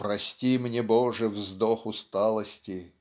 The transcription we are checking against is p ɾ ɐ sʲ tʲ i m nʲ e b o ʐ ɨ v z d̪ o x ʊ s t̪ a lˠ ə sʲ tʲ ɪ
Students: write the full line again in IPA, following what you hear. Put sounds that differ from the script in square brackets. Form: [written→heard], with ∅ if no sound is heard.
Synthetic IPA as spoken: p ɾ ɐ sʲ tʲ i m nʲ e b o ʐ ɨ v z d̪ o x ʊ s t̪ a lˠ ə sʲ tʲ ɪ